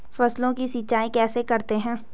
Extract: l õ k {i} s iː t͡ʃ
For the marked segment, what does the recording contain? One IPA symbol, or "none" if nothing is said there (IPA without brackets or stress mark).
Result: i